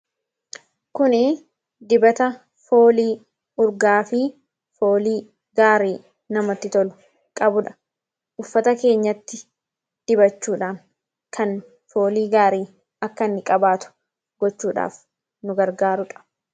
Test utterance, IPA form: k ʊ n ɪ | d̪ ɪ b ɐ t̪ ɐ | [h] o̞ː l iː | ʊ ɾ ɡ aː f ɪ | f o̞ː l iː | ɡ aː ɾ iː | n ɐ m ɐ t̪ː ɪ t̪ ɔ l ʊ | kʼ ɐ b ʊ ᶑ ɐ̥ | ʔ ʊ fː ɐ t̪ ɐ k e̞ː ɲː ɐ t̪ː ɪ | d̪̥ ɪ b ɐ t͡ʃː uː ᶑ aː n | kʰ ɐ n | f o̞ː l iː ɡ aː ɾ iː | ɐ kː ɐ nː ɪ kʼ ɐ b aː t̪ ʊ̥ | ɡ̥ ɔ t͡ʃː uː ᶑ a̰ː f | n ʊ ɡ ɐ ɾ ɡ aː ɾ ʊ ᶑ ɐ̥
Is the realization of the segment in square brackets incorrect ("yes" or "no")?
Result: yes